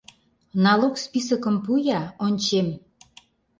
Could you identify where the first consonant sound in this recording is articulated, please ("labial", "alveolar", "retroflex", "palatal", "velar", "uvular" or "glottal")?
alveolar